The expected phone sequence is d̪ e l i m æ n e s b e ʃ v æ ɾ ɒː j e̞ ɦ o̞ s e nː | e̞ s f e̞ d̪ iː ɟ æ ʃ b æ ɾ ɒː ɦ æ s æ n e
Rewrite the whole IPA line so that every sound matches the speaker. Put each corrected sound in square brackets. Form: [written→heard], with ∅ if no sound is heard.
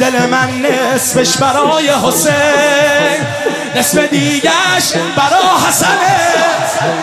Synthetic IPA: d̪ e l [i→e] m æ [n→nː] e s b e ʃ [v→b] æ ɾ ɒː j e̞ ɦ o̞ s e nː | e̞ s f e̞ d̪ iː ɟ æ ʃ b æ ɾ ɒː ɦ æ s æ n e